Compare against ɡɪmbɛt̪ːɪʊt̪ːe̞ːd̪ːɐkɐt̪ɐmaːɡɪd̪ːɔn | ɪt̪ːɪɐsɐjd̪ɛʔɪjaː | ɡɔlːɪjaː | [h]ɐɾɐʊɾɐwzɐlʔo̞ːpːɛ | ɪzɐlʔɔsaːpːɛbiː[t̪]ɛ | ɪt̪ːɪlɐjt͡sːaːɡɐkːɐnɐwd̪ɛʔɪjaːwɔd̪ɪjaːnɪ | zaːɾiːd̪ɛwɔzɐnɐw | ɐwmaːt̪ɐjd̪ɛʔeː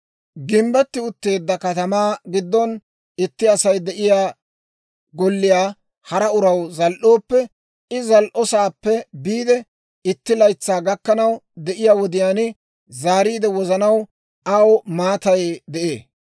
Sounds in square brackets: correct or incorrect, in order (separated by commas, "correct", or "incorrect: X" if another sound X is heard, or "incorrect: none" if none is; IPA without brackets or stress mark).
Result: correct, incorrect: d̪